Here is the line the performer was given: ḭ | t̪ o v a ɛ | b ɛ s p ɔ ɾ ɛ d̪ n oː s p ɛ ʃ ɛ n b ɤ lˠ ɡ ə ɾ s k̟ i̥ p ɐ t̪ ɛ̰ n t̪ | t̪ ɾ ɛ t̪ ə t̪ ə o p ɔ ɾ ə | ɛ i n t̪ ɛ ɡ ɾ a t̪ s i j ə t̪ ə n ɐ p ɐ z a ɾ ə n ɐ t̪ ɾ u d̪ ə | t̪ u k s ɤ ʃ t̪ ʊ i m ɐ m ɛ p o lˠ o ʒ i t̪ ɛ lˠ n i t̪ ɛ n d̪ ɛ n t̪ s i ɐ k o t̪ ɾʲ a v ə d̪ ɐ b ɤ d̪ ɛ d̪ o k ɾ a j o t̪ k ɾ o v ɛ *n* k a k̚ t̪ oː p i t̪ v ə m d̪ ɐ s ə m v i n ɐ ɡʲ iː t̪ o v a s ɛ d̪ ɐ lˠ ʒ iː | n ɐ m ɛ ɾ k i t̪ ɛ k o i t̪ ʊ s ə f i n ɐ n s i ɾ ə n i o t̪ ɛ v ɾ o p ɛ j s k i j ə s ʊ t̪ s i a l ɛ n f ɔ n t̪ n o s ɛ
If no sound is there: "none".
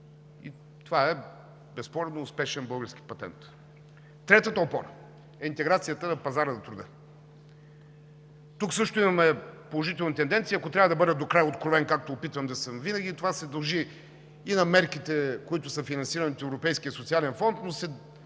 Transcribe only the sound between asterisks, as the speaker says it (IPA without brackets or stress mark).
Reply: n